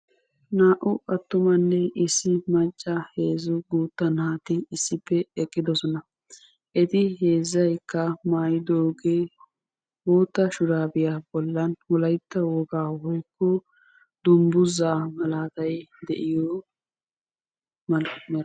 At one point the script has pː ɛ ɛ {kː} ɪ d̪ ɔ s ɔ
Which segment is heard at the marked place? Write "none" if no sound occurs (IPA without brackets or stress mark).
kʼː